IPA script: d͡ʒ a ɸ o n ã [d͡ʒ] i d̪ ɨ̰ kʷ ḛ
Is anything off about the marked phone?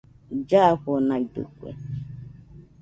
yes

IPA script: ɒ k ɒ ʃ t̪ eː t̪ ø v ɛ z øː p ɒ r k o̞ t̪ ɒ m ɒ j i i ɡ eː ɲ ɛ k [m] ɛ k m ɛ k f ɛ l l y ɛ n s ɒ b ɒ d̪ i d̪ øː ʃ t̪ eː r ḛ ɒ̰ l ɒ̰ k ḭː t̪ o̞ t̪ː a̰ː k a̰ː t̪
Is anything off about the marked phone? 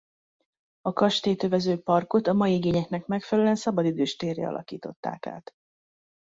yes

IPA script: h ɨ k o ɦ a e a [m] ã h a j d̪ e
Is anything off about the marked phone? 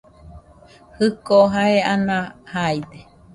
yes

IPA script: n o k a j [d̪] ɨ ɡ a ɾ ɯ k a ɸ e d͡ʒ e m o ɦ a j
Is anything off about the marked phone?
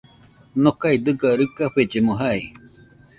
no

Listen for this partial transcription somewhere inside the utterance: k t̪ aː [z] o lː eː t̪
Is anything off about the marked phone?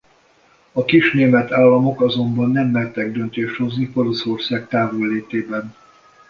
yes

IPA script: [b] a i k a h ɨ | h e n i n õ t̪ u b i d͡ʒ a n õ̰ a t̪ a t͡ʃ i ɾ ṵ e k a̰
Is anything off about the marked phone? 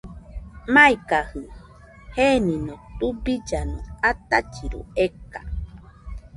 yes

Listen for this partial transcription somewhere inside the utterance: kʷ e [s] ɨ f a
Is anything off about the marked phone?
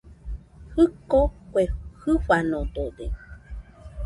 yes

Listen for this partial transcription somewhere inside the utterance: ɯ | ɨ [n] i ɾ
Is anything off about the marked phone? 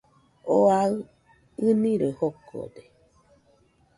no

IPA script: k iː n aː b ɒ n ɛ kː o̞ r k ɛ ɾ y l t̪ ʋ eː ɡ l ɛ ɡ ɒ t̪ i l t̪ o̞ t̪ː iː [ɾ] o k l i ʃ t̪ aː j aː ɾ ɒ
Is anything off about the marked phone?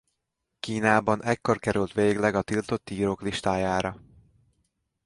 no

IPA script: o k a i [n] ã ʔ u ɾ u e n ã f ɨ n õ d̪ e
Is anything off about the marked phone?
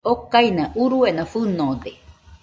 no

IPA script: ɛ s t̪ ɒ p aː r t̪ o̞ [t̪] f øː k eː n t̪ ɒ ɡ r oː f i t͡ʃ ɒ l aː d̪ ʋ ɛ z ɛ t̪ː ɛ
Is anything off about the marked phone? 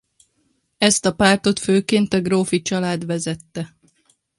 no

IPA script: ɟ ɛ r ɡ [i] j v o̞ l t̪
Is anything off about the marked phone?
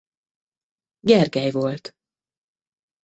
yes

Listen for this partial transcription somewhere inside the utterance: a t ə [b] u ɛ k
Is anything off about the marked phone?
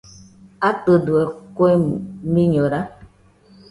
yes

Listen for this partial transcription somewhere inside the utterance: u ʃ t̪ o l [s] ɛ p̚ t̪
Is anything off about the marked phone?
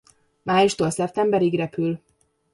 no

